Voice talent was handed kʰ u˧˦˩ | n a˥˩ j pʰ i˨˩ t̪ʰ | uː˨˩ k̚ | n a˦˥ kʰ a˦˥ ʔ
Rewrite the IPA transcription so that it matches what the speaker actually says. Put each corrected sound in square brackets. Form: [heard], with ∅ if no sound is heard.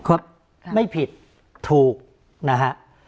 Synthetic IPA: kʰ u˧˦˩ | [m] a˥˩ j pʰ i˨˩ t̪ʰ | uː˨˩ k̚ | n a˦˥ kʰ a˦˥ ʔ